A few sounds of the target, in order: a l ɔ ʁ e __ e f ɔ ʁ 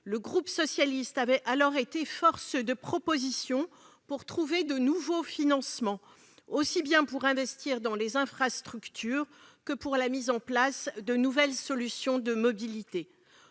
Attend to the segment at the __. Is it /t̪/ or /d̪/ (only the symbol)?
t̪